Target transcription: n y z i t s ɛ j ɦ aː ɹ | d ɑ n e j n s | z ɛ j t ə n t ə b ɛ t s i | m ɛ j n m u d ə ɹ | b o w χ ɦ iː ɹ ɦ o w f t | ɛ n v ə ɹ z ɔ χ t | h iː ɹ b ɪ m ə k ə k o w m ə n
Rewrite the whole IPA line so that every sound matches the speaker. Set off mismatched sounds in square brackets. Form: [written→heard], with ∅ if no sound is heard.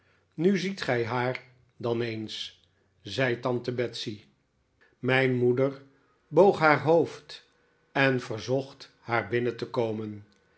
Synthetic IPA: n y z i t [s→χ] ɛ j ɦ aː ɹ | d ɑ n e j n s | z ɛ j t [ə→ɑ] n t ə b ɛ t s i | m ɛ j n m u d ə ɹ | b o w χ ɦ [iː→aː] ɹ ɦ o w f t | ɛ n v ə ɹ z ɔ χ t | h [iː→aː] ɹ b ɪ [m→n] ə [k→t] ə k o w m ə n